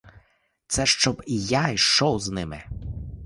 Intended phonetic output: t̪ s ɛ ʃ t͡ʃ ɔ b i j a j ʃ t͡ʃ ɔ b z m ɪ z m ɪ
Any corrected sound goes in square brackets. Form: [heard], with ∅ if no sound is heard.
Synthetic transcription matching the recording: t̪ s ɛ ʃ t͡ʃ ɔ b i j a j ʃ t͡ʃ ɔ [w] z [n] ɪ [∅] m ɪ